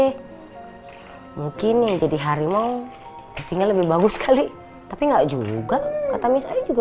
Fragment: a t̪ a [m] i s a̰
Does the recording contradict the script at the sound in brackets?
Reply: no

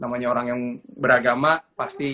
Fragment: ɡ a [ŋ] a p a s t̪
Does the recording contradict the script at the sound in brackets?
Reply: yes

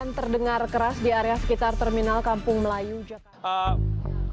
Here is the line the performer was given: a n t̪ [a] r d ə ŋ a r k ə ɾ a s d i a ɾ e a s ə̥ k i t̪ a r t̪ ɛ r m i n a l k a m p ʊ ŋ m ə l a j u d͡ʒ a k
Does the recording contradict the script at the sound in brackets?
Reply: yes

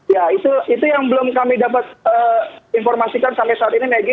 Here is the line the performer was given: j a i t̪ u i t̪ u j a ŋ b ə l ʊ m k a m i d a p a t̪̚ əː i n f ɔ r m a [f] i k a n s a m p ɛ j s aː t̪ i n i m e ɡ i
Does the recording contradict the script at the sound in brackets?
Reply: yes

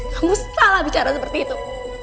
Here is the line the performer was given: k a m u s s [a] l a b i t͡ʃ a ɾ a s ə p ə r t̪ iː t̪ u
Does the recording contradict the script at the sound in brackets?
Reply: no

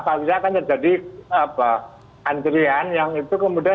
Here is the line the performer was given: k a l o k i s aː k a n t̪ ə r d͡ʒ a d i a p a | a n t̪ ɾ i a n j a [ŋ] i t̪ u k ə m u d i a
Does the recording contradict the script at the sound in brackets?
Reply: no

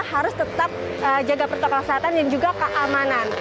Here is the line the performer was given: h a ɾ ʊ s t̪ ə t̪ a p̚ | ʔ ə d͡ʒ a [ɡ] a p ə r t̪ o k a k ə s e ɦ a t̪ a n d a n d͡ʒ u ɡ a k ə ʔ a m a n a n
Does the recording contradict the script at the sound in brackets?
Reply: no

